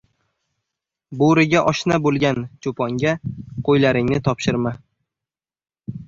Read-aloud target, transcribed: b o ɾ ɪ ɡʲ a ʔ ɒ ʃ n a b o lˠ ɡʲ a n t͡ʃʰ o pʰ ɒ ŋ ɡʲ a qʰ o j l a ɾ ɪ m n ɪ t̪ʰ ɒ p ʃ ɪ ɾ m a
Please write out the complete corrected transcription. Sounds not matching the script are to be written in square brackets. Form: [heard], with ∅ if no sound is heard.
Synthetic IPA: b o ɾ ɪ ɡʲ a ʔ ɒ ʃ n a b o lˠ ɡʲ a n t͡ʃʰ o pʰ ɒ ŋ ɡʲ a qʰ o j l a ɾ ɪ [ŋ] n ɪ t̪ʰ ɒ p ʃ ɪ ɾ m a